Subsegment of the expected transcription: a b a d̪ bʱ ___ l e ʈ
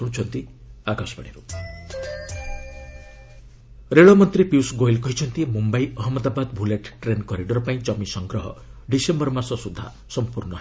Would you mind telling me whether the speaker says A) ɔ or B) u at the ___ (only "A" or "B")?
B